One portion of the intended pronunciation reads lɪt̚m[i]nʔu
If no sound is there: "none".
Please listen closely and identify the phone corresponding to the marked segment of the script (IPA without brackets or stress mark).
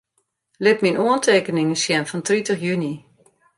i